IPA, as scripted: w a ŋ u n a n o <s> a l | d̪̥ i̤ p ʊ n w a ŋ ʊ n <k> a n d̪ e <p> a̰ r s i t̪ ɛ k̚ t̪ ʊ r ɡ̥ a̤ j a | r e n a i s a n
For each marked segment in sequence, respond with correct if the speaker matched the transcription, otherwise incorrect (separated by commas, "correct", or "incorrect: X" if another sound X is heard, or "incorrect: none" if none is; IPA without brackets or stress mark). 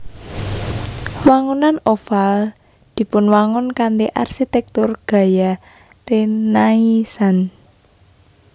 incorrect: f, correct, incorrect: ʔ